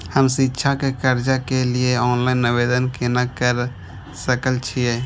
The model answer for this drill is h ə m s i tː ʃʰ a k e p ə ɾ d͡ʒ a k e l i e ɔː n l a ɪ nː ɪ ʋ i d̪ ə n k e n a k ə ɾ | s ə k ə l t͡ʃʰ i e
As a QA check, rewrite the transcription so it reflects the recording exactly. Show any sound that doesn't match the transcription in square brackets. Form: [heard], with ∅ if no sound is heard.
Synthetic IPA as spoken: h ə m s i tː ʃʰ a k e [k] ə ɾ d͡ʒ a k e l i e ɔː n l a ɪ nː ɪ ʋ [e] d̪ ə n k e n a k ə ɾ | s ə k ə l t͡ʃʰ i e